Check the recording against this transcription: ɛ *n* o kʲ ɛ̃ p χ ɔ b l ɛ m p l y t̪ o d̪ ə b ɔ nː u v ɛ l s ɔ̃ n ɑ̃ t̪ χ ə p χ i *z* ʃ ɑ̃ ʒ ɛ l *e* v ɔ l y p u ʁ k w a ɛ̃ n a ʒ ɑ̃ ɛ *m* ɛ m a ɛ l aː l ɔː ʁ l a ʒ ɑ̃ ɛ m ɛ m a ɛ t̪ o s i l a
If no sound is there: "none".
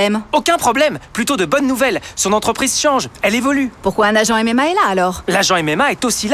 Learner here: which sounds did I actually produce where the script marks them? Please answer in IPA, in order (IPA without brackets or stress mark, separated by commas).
m, z, e, m